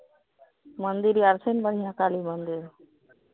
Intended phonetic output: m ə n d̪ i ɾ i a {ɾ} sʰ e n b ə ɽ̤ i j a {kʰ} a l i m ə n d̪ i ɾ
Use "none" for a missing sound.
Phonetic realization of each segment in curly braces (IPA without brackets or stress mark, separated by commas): ɾ, k